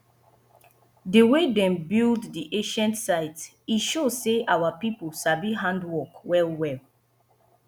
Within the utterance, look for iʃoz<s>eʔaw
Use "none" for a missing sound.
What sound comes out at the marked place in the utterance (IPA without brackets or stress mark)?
s